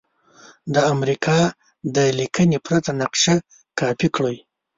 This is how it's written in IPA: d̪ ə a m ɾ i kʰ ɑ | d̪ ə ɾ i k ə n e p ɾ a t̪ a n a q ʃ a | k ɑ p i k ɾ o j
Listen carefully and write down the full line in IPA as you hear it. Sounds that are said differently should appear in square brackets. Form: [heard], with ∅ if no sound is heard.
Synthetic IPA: d̪ ə a m ɾ i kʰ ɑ | d̪ ə [l] i k ə n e p ɾ a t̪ a n a q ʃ a | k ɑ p i k [ɽ] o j